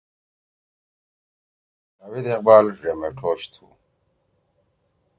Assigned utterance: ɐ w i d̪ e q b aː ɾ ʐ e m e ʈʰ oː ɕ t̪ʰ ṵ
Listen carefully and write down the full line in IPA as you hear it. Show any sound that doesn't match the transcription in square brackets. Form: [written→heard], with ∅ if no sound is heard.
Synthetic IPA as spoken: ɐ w i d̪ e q b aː [ɾ→l] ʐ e m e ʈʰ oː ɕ t̪ʰ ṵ